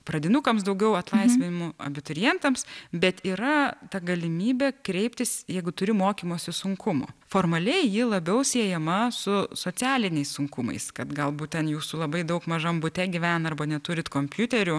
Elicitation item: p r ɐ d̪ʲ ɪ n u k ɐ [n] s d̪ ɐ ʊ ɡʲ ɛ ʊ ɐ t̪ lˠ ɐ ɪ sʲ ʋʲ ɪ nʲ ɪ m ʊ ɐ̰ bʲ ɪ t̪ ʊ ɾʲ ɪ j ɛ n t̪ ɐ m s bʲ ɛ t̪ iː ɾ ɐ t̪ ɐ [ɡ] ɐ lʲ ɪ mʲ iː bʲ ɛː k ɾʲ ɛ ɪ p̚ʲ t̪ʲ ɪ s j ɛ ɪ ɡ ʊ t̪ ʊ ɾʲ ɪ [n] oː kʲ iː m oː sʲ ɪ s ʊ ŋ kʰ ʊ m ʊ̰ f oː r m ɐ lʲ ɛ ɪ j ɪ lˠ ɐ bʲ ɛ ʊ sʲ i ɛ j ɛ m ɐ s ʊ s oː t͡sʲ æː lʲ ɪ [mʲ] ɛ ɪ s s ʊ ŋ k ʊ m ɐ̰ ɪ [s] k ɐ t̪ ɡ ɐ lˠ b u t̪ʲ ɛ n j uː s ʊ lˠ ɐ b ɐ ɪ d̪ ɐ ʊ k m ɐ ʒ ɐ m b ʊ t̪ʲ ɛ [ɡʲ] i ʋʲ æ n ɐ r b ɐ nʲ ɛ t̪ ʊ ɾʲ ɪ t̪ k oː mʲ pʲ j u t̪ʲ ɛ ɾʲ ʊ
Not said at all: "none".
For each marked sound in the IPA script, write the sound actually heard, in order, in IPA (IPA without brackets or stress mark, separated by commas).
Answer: m, ɡ, m, nʲ, s, ɡʲ